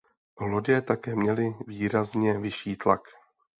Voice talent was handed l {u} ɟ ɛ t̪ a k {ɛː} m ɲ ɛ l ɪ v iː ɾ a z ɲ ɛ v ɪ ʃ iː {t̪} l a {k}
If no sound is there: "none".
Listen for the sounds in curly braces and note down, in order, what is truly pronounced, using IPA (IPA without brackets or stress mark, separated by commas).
o, ɛː, t̪, k